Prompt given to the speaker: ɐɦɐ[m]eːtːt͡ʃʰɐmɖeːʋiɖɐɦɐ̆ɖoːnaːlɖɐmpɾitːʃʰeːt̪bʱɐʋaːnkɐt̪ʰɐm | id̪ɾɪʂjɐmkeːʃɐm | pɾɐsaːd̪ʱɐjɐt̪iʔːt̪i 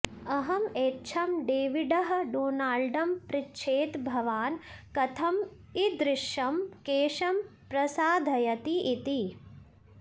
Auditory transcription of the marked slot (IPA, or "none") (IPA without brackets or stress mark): m